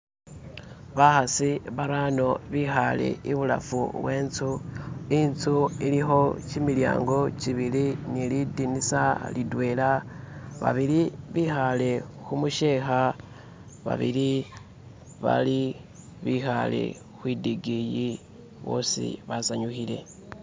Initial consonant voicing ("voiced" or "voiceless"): voiced